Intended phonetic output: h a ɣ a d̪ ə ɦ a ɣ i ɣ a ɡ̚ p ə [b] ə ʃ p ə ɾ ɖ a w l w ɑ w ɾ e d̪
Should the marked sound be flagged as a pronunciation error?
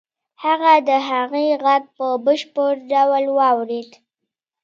no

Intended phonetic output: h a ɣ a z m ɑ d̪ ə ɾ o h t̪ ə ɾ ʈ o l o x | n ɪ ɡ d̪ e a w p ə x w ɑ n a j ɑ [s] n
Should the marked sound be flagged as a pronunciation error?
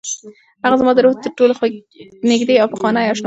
yes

